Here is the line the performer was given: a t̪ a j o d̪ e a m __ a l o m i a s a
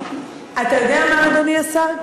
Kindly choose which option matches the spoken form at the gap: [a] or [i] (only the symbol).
a